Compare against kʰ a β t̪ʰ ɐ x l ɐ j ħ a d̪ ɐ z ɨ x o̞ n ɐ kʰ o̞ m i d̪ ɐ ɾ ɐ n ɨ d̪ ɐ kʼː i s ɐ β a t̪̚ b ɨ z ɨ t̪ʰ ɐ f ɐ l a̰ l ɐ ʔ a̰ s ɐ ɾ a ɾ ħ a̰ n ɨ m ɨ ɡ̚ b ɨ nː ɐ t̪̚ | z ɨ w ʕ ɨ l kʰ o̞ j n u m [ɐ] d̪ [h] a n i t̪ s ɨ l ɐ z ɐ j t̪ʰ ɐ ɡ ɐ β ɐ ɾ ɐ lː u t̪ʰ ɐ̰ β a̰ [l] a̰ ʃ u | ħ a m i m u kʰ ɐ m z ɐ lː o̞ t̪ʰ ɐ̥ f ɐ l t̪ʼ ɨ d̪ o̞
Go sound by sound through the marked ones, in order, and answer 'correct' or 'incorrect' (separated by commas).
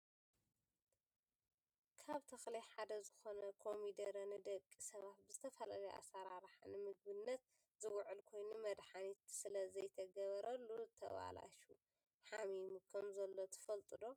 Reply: correct, incorrect, correct